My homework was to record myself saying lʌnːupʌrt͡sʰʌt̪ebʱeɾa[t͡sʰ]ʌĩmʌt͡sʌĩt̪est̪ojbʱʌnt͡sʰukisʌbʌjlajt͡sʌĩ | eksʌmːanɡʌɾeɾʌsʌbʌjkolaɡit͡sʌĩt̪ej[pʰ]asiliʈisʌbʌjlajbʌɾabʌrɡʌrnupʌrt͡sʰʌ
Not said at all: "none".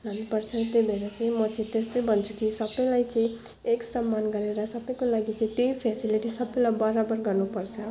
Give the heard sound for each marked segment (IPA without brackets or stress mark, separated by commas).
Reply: t͡s, pʰ